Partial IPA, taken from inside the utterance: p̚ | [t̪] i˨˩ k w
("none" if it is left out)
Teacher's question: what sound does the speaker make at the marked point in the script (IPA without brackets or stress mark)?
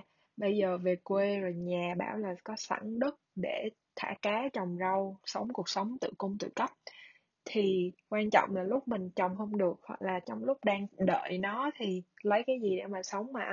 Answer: t̪ʰ